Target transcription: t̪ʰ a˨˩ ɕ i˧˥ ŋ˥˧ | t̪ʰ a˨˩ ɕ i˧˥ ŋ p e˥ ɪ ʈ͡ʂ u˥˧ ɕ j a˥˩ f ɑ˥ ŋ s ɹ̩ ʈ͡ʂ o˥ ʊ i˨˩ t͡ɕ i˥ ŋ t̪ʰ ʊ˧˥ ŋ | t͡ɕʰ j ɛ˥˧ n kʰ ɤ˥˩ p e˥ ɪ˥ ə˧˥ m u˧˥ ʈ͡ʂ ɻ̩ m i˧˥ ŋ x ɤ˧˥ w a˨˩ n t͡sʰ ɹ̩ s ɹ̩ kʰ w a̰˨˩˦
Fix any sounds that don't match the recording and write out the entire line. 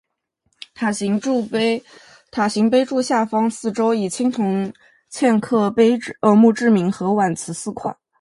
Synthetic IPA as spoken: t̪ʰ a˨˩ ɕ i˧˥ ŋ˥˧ | t̪ʰ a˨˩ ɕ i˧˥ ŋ p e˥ ɪ ʈ͡ʂ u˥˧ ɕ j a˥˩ f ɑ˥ ŋ s ɹ̩ ʈ͡ʂ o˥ ʊ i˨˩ t͡ɕʰ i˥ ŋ t̪ʰ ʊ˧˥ ŋ | t͡ɕʰ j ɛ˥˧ n kʰ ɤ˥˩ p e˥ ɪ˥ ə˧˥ m u˥˧ ʈ͡ʂ ɻ̩ m i˧˥ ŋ x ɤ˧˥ w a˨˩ n t͡sʰ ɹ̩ s ɹ̩ kʰ w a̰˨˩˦